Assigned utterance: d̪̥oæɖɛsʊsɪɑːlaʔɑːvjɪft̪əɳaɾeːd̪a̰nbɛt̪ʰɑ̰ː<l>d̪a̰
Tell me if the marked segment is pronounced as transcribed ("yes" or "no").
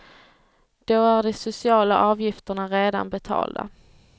yes